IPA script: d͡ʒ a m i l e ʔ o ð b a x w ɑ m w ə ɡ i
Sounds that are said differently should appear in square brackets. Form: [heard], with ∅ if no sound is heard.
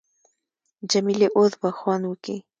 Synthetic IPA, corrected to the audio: d͡ʒ a m i l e ʔ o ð b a x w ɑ [n] w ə [k] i